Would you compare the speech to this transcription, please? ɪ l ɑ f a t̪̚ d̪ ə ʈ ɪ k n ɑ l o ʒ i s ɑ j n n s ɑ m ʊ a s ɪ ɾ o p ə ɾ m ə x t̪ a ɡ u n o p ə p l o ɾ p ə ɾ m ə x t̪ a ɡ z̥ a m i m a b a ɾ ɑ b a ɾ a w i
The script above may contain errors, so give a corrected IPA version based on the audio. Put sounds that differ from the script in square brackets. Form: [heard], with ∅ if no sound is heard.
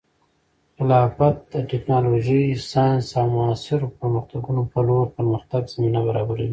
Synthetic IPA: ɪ l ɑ f a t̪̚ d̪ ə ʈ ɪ k n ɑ l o ʒ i s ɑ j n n s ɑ m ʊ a s ɪ ɾ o p ə ɾ m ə x t̪ a ɡ u n o p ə [∅] l o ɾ p ə ɾ m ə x t̪ a ɡ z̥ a m i [n] a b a ɾ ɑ b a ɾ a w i